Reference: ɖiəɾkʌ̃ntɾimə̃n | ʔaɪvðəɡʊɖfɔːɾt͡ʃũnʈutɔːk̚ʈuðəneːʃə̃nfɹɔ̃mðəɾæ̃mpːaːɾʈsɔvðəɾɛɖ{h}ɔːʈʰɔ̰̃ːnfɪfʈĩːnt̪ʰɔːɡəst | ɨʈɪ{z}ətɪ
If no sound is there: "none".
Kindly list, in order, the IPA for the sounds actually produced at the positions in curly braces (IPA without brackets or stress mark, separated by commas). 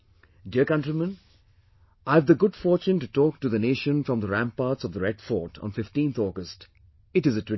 f, z